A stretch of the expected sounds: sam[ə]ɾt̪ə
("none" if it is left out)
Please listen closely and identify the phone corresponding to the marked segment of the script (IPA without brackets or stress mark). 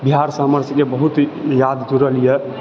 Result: ə